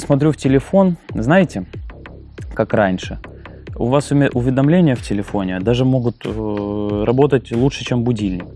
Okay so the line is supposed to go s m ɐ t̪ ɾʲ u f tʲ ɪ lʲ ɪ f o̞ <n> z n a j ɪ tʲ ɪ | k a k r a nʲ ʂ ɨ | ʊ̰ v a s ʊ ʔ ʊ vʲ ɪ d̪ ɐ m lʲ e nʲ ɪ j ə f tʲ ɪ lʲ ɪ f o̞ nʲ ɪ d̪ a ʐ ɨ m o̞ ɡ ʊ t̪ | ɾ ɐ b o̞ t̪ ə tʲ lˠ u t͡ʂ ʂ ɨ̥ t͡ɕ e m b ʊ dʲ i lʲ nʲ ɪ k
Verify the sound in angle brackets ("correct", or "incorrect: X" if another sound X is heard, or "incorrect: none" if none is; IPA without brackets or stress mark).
correct